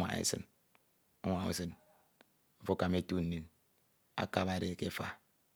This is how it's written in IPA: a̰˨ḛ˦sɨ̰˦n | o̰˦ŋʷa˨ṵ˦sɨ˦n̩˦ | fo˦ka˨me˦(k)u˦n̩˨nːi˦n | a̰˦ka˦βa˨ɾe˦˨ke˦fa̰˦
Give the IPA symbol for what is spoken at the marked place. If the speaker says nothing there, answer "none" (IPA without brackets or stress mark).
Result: t